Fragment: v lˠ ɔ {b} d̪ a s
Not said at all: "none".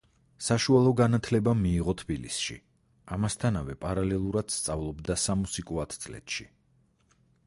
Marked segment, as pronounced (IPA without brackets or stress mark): b